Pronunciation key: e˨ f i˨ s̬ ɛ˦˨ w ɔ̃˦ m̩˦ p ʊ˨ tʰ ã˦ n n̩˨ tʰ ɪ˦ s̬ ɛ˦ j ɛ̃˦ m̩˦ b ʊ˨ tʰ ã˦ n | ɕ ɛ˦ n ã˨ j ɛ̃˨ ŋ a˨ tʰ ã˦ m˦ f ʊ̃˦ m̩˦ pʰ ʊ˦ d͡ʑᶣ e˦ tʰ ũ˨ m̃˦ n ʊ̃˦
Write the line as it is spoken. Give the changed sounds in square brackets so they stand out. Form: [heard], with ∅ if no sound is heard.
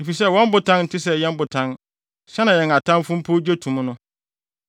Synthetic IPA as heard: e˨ f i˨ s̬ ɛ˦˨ w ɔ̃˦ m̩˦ [b] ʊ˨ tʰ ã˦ n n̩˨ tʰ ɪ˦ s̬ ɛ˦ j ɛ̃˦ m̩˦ b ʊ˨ tʰ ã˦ n | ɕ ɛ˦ n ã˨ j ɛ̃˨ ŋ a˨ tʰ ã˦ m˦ f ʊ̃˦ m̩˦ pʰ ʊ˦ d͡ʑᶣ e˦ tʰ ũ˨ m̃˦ n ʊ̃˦